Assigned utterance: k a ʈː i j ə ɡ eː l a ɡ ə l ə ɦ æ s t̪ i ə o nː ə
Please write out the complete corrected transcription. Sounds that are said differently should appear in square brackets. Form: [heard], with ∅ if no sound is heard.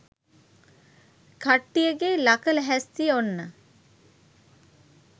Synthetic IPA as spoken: k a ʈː i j ə ɡ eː l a [k] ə l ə ɦ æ s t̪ i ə o nː ə